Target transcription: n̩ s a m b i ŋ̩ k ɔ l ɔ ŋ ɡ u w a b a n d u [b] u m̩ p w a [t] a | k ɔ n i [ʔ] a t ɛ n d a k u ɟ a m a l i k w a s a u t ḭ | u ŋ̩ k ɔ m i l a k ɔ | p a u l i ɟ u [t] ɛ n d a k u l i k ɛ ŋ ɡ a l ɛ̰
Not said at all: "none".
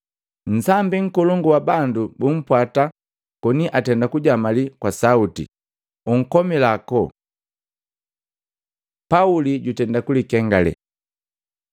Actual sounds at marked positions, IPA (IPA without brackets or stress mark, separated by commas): b, t, ʔ, t